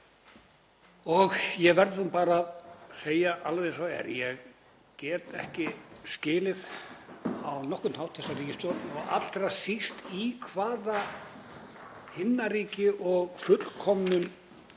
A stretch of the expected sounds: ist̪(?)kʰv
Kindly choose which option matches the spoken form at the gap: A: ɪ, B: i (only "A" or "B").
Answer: B